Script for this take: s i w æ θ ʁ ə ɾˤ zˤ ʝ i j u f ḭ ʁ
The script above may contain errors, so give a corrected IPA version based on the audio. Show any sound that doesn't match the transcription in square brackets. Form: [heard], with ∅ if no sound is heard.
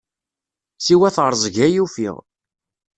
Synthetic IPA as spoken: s i w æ θ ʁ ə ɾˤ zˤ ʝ [æ] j u f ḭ ʁ